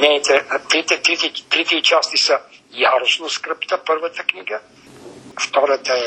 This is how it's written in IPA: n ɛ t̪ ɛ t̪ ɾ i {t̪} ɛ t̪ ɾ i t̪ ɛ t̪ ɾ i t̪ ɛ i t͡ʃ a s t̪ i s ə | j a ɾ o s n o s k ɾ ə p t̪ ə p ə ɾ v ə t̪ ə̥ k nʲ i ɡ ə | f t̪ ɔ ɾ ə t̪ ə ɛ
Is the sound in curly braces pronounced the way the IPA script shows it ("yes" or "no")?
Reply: yes